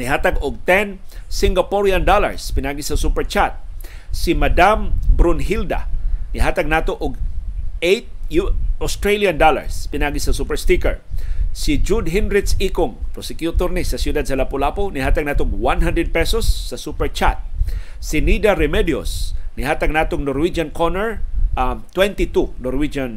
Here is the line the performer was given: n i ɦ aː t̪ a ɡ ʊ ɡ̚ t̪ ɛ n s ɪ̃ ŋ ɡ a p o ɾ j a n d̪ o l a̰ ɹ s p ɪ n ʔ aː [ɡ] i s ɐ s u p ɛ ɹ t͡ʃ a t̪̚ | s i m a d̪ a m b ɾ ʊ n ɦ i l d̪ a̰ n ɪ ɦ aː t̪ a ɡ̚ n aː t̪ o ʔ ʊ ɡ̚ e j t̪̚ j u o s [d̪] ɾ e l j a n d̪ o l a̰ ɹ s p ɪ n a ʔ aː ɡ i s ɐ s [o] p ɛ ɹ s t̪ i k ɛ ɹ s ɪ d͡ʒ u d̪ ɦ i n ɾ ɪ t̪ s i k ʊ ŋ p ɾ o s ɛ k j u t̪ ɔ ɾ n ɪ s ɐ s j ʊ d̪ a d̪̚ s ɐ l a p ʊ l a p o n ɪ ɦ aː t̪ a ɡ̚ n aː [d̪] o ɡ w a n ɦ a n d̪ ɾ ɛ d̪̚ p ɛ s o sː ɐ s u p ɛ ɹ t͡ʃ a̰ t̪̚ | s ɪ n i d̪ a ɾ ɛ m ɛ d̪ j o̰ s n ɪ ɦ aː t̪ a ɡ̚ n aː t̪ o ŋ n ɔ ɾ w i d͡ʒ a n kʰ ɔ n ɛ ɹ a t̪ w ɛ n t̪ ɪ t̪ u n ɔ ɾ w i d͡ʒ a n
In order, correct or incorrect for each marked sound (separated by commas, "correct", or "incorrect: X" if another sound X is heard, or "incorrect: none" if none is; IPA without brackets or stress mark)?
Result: correct, incorrect: t̪, incorrect: u, incorrect: t̪